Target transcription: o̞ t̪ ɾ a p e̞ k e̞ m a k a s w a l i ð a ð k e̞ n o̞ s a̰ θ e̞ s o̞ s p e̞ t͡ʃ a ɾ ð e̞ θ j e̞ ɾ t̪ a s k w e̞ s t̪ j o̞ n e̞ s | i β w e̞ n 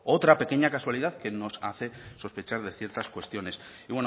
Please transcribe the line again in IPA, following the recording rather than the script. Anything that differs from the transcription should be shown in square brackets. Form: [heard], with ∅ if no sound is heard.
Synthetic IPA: o̞ t̪ ɾ a p e̞ k e̞ [ɲ] a k a s w a l i ð a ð k e̞ n o̞ s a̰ θ e̞ s o̞ s p e̞ t͡ʃ a ɾ ð e̞ θ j e̞ ɾ t̪ a s k w e̞ s t̪ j o̞ n e̞ s | i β w e̞ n

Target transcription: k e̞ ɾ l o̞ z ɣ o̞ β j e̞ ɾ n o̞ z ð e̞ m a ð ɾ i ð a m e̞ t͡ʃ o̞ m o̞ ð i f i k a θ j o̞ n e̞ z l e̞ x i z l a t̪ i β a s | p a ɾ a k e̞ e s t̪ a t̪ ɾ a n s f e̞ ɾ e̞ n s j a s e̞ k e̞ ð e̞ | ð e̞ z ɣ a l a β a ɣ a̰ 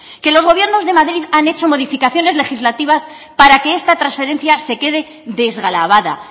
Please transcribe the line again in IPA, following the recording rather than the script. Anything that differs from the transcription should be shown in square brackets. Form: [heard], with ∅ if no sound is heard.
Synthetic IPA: k e̞ [∅] l o̞ z ɣ o̞ β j e̞ ɾ n o̞ z ð e̞ m a ð ɾ i ð a [n] e̞ t͡ʃ o̞ m o̞ ð i f i k a θ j o̞ n e̞ z l e̞ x i z l a t̪ i β a s | p a ɾ a k e̞ e s t̪ a t̪ ɾ a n s f e̞ ɾ e̞ n [θ] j a s e̞ k e̞ ð e̞ | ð e̞ z ɣ a l a β a [ð] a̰

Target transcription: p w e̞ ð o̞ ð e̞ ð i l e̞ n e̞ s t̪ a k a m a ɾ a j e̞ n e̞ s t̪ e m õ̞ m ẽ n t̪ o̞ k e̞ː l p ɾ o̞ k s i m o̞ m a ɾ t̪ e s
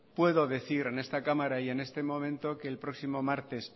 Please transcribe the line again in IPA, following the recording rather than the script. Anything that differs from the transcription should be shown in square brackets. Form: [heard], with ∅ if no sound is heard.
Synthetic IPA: p w e̞ ð o̞ ð e̞ [θ] i [ɾ] e̞ n e̞ s t̪ a k a m a ɾ a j e̞ n e̞ s t̪ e m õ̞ m ẽ n t̪ o̞ k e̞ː l p ɾ o̞ k s i m o̞ m a ɾ t̪ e s

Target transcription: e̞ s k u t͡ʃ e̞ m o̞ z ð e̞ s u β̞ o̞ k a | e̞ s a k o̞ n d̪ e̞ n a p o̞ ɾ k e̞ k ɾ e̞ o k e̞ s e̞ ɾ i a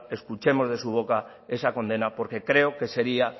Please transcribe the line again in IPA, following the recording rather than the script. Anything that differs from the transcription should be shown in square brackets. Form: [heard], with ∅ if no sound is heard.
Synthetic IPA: e̞ s k u t͡ʃ e̞ m o̞ z ð e̞ s u β̞ o̞ k a | e̞ s a k o̞ n d̪ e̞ n a p o̞ ɾ k e̞ k ɾ e̞ o k e̞ s e̞ ɾ i a

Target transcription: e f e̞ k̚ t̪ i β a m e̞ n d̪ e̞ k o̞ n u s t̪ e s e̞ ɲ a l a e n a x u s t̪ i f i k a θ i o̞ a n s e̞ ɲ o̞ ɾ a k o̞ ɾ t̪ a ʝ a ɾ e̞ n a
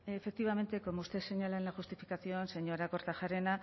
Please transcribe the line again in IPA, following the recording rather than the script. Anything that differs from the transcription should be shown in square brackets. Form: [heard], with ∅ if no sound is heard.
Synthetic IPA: e f e̞ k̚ t̪ i β a m e̞ n [t̪] e̞ k o̞ [m] u s t̪ e s e̞ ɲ a l a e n a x u s t̪ i f i k a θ i o̞ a n s e̞ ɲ o̞ ɾ a k o̞ ɾ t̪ a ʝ a ɾ e̞ n a

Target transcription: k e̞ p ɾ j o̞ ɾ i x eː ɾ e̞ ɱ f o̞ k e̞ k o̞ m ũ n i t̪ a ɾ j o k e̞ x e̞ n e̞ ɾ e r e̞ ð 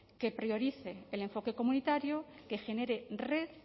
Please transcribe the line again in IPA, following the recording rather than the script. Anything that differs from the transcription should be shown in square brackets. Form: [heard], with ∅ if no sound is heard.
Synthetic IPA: k e̞ p ɾ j o̞ ɾ i [θ] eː [l] e̞ ɱ f o̞ k e̞ k o̞ m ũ n i t̪ a ɾ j o k e̞ x e̞ n e̞ ɾ e r e̞ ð

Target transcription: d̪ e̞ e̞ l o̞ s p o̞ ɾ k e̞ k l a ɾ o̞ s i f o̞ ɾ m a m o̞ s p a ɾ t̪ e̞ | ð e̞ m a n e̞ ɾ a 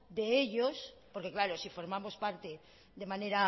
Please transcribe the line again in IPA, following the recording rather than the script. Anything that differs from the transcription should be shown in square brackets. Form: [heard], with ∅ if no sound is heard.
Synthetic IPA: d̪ e̞ e̞ [ʎ] o̞ s p o̞ ɾ k e̞ k l a ɾ o̞ s i f o̞ ɾ m a m o̞ s p a ɾ t̪ e̞ | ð e̞ m a n e̞ ɾ a

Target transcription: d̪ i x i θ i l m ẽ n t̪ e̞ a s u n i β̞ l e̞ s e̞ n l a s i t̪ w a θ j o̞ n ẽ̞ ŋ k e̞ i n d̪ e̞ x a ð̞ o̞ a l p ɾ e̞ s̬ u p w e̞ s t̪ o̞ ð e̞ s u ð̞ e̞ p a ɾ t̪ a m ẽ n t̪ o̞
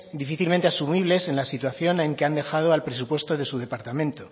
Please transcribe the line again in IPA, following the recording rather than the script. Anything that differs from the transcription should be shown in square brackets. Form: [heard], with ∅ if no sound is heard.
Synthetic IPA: d̪ i [f] i θ i l m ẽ n t̪ e̞ a s u [m] i β̞ l e̞ s e̞ n l a s i t̪ w a θ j o̞ n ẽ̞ ŋ k e̞ [a] n d̪ e̞ x a ð̞ o̞ a l p ɾ e̞ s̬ u p w e̞ s t̪ o̞ ð e̞ s u ð̞ e̞ p a ɾ t̪ a m ẽ n t̪ o̞

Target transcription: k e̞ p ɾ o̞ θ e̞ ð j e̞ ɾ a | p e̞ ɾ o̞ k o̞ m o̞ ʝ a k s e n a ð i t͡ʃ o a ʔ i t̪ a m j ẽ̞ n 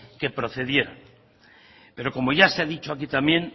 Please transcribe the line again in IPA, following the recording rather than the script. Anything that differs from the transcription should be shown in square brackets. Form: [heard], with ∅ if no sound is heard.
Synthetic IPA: k e̞ p ɾ o̞ θ e̞ ð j e̞ ɾ a | p e̞ ɾ o̞ k o̞ m o̞ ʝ a [∅] s e [∅] a ð i t͡ʃ o a [k] i t̪ a m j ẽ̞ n

